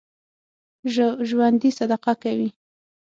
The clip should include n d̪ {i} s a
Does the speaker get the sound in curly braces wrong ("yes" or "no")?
no